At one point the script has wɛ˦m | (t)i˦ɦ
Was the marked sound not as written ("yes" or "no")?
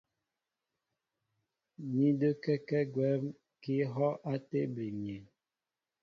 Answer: yes